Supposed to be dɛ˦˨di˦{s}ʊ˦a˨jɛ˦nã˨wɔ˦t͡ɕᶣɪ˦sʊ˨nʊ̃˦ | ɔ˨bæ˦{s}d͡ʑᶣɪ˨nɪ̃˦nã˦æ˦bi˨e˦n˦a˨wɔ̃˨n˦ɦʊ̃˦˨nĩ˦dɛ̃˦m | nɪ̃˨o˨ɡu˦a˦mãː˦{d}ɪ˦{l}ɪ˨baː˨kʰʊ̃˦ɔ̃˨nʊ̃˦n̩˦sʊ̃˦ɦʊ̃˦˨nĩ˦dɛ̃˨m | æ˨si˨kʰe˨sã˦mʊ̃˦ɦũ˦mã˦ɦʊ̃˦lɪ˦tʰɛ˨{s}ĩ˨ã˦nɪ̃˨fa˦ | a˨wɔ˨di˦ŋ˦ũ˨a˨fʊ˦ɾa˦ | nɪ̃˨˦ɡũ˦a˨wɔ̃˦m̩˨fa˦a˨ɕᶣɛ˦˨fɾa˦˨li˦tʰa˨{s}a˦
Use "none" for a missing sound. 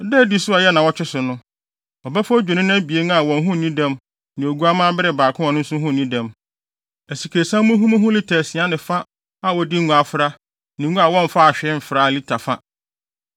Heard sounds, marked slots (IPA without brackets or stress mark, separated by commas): s, f, b, ɾ, s, f